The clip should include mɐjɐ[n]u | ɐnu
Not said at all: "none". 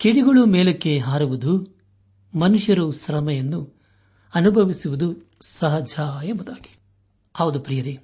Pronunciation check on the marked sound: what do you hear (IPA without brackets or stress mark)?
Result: nː